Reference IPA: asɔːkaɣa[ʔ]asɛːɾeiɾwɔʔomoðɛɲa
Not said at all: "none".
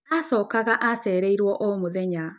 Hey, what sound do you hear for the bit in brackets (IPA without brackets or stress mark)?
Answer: ʔ